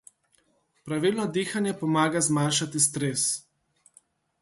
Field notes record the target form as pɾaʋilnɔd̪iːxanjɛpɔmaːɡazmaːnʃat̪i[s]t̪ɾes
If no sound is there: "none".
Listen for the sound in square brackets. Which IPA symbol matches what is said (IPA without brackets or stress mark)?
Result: s